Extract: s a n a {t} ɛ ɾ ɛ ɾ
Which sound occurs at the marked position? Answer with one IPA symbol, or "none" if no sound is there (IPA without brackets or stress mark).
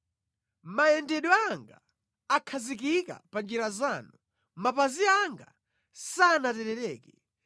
t